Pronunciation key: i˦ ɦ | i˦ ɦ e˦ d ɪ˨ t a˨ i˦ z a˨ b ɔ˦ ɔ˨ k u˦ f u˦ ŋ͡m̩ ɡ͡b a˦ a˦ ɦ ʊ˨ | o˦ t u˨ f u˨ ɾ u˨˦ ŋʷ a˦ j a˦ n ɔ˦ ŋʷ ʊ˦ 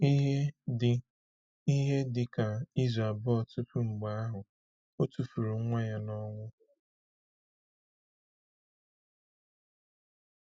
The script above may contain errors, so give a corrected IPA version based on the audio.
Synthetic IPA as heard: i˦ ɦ | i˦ ɦ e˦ d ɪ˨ k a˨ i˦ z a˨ b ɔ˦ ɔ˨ t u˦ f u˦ ŋ͡m̩ ɡ͡b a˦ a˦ ɦ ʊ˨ | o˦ t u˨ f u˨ ɾ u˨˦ ŋʷ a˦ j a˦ n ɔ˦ ŋʷ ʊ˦